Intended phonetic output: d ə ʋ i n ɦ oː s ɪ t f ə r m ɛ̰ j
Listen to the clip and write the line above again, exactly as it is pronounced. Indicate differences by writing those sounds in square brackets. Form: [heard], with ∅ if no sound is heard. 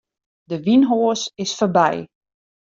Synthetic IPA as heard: d ə ʋ i n ɦ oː s ɪ [s] f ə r [b] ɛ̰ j